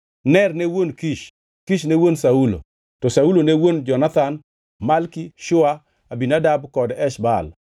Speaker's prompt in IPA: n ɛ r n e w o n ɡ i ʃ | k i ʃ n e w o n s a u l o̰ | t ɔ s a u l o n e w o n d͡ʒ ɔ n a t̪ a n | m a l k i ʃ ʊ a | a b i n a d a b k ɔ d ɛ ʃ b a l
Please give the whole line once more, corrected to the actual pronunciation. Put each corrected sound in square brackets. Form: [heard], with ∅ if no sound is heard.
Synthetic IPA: n ɛ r n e w o n [k] i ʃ | k i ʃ n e w o n s a u l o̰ | t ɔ s a u l o n e w o n d͡ʒ ɔ n a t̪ a n | m a l k i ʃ ʊ a | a b i n a d a b k ɔ d ɛ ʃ b a l